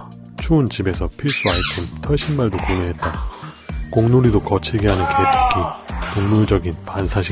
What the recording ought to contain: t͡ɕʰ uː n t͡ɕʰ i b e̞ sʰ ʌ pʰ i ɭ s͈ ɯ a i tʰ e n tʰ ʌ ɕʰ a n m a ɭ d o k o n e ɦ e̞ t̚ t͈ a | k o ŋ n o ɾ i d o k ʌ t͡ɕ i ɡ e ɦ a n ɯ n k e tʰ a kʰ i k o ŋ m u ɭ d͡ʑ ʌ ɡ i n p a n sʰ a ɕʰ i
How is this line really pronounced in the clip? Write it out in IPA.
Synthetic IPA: t͡ɕʰ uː n t͡ɕ i b e̞ sʰ ʌ pʰ i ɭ s͈ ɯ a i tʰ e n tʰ ʌ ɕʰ i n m a ɭ d o k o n e ɦ e̞ t̚ t͈ a | k o ŋ n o ɾ i d o k ʌ t͡ɕʰ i ɡ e ɦ a n ɯ n k e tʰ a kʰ i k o ŋ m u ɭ d͡ʑ ʌ ɡ i n p a n sʰ a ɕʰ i